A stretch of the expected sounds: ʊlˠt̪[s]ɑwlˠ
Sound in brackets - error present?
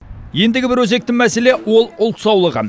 no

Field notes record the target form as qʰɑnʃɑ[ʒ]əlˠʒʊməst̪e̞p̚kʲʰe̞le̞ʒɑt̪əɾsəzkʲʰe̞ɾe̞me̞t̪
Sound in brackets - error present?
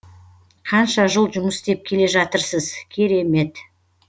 no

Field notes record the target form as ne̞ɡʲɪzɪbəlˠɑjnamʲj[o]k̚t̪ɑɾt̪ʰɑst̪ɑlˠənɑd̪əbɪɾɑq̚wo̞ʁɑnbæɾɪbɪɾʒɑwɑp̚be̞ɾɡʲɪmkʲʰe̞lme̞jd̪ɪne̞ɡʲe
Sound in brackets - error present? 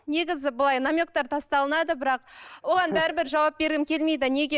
no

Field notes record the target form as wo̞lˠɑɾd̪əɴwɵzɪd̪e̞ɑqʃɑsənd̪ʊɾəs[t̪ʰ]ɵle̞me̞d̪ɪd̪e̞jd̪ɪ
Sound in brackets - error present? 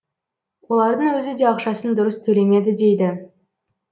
no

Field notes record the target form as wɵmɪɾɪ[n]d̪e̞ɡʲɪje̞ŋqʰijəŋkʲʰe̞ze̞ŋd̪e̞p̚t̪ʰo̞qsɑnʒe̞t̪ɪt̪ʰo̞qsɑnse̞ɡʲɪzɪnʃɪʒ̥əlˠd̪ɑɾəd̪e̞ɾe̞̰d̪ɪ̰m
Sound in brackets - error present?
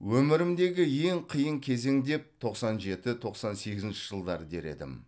yes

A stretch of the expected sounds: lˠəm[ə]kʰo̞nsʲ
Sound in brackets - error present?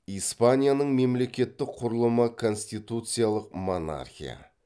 no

